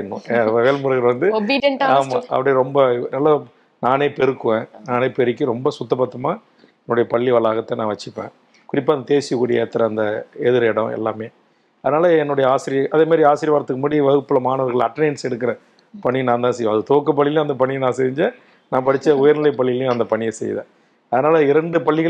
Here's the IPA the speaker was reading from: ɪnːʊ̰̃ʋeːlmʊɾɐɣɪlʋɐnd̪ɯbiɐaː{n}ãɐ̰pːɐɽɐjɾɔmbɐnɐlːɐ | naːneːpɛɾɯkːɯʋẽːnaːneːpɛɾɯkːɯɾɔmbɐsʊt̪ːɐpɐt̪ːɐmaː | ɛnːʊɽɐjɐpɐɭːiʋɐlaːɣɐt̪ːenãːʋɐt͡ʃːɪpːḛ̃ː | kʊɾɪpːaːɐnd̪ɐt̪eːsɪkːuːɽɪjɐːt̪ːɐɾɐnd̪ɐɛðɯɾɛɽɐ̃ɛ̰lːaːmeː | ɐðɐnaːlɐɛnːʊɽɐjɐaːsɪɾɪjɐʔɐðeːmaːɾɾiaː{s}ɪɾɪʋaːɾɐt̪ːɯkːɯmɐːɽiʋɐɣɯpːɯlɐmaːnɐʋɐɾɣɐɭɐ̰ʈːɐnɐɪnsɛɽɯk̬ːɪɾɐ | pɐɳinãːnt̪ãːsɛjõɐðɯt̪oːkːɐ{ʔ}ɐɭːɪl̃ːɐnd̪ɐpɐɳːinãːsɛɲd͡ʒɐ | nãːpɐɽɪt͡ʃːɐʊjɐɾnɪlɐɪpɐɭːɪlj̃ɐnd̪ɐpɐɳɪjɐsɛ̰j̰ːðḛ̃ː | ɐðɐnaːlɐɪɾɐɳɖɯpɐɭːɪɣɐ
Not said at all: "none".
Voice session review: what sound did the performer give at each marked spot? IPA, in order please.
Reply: m, s, p

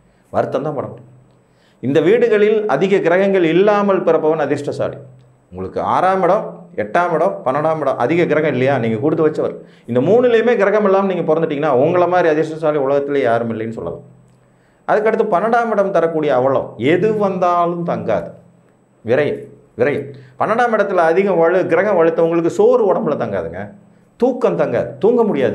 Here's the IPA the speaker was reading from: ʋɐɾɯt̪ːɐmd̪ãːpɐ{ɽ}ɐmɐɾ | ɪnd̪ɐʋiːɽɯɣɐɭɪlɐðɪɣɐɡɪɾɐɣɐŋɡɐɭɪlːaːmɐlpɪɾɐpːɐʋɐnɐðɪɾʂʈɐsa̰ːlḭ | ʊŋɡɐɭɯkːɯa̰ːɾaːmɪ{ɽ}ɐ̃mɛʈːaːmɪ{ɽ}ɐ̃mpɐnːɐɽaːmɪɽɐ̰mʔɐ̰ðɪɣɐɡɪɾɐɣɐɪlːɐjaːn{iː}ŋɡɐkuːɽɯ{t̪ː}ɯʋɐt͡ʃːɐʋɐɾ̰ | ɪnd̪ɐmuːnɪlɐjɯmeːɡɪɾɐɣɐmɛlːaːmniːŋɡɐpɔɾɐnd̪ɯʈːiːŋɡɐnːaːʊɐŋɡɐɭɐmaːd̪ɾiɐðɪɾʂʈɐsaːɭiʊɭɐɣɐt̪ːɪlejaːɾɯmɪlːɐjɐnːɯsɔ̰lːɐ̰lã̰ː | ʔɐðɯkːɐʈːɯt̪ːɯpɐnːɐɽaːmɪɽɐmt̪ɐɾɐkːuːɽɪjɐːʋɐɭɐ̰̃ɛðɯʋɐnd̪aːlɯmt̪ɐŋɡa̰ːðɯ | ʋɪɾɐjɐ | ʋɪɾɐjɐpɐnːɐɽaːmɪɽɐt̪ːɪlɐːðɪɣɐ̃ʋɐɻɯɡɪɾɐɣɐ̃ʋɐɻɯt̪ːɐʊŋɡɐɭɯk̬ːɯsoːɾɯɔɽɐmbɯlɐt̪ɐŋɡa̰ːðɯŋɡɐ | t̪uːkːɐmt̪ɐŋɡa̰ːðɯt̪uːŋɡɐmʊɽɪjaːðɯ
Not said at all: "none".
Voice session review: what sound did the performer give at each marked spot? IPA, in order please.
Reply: ɽ, ɽ, ɽ, iː, t̪ː

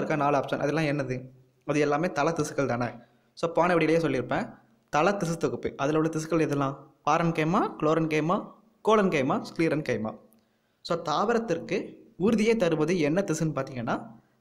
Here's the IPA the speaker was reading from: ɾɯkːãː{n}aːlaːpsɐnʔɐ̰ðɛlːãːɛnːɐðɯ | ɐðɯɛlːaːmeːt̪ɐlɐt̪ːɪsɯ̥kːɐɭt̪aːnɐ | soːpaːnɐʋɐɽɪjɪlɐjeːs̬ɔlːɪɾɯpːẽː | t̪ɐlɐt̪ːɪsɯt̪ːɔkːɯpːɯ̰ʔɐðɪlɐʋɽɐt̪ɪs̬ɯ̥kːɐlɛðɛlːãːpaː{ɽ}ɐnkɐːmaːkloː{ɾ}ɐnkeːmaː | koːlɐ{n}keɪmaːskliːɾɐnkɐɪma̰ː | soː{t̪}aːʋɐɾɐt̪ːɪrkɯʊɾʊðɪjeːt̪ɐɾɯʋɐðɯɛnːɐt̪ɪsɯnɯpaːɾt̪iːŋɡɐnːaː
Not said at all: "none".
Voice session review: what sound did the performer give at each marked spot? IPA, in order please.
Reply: n, ɾ, ɾ, n, t̪

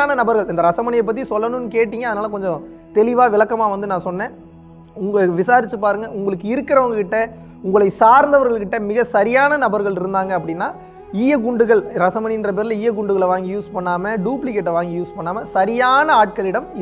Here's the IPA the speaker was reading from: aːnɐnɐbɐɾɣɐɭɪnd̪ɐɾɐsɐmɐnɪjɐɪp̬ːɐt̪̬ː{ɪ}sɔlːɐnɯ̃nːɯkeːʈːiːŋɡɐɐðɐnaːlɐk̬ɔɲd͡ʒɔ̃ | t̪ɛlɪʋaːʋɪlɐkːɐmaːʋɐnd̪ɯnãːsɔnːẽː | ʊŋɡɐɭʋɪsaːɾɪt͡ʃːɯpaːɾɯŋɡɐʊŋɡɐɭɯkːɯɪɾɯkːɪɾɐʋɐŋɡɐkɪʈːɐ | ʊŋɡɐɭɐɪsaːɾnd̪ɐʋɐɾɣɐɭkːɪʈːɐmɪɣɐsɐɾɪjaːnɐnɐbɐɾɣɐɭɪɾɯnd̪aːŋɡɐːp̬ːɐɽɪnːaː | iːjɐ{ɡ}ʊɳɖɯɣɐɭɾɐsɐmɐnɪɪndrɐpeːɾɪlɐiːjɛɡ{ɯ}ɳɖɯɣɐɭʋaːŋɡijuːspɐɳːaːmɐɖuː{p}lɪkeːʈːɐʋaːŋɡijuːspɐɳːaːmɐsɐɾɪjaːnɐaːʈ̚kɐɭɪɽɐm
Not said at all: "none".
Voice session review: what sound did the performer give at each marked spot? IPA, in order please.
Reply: i, ɡ, ʊ, p

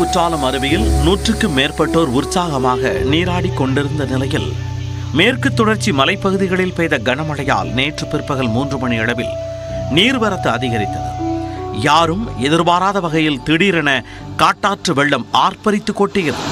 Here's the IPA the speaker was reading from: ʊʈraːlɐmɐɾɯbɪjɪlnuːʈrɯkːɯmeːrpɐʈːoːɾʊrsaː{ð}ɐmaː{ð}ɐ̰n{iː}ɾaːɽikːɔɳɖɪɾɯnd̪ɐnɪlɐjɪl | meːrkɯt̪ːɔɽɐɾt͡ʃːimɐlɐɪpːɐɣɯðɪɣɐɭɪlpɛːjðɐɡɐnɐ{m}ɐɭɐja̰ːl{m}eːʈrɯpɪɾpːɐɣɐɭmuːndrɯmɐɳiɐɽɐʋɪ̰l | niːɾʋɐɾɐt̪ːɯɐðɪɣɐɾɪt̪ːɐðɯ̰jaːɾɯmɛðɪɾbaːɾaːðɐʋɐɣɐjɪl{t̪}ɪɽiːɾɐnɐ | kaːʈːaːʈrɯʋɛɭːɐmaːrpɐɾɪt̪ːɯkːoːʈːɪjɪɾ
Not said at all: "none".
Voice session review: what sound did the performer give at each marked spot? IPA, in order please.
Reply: ɣ, ɣ, iː, m, n, t̪

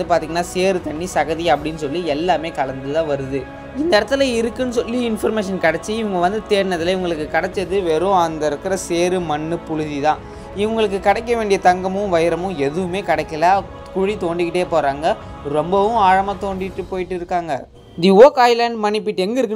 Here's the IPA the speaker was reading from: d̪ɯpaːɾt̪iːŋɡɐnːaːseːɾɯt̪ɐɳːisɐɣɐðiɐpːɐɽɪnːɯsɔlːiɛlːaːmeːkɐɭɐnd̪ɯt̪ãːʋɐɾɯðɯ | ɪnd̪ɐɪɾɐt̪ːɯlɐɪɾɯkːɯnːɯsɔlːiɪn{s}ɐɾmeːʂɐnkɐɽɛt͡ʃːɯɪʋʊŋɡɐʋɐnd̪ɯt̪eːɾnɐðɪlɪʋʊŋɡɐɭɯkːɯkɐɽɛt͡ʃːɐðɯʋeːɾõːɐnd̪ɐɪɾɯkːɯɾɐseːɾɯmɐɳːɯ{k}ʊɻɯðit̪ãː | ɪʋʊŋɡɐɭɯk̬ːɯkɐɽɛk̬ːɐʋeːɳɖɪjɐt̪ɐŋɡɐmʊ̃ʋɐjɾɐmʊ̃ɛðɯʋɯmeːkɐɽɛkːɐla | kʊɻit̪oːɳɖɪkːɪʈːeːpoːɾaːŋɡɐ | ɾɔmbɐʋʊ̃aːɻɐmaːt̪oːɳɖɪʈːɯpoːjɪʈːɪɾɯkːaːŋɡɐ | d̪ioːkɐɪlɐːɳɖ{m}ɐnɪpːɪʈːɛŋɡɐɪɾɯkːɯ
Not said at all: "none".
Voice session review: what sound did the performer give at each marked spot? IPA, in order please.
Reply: f, p, m

